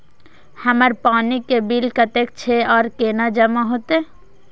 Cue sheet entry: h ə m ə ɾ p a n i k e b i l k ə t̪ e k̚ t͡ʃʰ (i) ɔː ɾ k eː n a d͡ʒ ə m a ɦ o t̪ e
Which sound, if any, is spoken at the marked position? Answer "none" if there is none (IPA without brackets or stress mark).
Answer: e